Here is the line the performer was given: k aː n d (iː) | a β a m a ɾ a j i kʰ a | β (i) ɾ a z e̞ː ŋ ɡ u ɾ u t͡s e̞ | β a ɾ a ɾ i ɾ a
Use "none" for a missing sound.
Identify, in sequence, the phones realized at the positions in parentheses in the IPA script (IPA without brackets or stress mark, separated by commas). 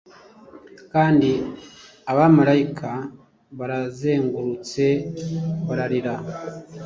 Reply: i, a